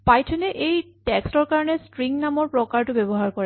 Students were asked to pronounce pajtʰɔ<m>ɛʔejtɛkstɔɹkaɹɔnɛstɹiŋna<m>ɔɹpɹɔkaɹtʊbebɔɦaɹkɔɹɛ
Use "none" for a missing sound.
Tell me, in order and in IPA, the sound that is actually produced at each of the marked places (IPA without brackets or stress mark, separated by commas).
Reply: n, m